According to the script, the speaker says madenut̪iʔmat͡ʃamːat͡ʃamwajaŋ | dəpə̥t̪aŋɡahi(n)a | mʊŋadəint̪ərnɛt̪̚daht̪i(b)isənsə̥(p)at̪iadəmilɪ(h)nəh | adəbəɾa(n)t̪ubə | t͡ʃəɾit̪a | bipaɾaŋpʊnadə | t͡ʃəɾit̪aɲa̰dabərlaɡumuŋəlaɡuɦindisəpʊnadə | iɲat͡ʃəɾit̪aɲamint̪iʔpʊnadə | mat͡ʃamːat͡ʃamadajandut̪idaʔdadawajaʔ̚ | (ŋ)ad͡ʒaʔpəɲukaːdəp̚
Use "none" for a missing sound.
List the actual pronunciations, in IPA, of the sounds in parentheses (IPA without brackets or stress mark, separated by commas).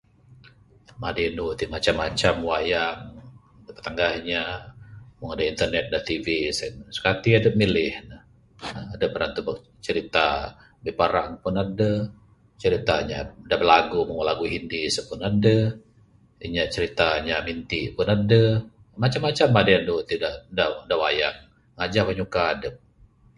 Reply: ɲ, v, k, h, n, ŋ